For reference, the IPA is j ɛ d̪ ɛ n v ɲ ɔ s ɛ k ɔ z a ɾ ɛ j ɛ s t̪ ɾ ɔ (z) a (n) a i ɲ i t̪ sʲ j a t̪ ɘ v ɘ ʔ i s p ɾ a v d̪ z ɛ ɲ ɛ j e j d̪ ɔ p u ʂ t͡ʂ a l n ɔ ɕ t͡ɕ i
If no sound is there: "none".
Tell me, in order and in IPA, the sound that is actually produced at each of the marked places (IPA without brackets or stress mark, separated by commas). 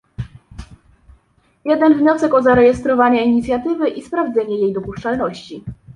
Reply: v, ɲ